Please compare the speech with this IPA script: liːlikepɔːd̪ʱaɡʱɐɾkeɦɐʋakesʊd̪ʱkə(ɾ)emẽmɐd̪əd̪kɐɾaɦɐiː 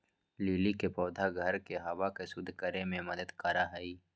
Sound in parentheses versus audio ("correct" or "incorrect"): correct